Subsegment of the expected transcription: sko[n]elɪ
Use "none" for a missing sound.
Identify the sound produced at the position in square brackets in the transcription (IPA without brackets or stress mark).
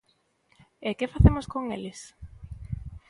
ŋ